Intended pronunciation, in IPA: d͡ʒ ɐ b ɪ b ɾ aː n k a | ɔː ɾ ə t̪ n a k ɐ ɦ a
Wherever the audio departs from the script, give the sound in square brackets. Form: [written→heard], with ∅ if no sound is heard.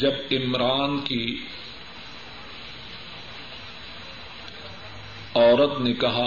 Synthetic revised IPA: d͡ʒ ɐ b ɪ [b→m] ɾ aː n k [a→i] | ɔː ɾ ə t̪ n [a→e] k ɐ ɦ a